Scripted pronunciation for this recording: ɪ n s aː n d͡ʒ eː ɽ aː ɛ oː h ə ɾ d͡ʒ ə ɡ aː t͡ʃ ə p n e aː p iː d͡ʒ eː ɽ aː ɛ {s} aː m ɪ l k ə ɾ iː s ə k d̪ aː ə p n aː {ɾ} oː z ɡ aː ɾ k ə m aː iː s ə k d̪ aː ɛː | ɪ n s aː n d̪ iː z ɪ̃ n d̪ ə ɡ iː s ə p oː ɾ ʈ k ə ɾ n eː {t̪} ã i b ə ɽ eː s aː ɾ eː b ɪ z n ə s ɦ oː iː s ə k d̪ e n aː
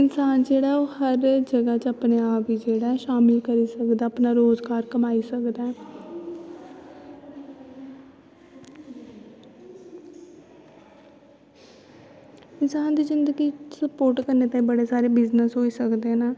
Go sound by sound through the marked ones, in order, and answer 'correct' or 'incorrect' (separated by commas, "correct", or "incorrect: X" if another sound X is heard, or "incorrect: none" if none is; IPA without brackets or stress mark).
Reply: incorrect: ʃ, correct, correct